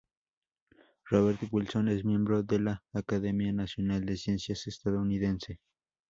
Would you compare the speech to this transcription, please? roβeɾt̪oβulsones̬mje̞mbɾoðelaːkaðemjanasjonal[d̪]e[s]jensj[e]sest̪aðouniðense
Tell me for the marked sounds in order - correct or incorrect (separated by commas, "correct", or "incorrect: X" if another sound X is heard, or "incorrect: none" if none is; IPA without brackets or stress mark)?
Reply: correct, correct, incorrect: a